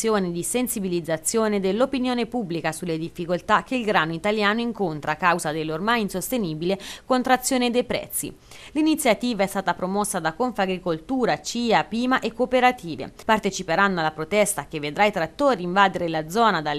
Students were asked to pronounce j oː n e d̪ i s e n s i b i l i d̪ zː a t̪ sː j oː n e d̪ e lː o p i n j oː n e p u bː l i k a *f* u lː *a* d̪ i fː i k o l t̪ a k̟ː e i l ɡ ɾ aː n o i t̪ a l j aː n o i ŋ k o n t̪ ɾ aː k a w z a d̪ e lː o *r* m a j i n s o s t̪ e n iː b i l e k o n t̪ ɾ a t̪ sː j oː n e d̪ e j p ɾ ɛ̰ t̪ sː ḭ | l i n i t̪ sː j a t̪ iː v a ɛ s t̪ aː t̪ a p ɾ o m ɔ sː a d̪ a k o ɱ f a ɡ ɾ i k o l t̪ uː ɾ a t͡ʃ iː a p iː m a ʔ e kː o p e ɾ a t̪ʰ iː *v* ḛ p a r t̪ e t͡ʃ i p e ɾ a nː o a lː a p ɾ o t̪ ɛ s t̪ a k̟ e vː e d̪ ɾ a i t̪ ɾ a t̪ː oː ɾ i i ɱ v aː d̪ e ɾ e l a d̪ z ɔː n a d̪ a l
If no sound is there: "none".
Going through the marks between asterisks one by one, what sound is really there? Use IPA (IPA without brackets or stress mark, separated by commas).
s, e, r, v